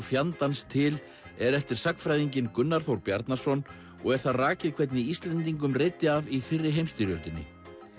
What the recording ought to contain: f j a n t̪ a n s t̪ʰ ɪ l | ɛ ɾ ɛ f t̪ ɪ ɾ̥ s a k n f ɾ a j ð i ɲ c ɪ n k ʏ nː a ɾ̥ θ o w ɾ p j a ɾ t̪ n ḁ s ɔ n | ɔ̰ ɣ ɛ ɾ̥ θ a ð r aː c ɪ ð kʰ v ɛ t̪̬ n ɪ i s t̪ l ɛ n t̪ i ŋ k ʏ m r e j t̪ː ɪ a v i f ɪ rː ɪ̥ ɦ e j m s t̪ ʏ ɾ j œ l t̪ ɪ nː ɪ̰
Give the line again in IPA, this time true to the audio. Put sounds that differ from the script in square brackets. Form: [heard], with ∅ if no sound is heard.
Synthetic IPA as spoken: f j a n t̪ a n s t̪ʰ ɪ l | ɛ ɾ ɛ f t̪ ɪ ɾ̥ s a k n f ɾ a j ð i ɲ c ɪ n k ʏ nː a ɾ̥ θ o w ɾ p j a ɾ t̪ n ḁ s ɔ n | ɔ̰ ɣ ɛ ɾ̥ θ a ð r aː c ɪ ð kʰ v ɛ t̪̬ n ɪ i s t̪ l ɛ n t̪ i ŋ k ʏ m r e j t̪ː ɪ a v i f ɪ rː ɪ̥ ɦ e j m s t̪ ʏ ɾ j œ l t̪ ɪ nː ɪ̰